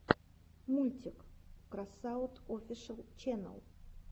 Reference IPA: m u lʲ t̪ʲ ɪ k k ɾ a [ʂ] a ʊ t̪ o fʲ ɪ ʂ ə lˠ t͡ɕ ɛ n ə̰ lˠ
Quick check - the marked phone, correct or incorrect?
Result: incorrect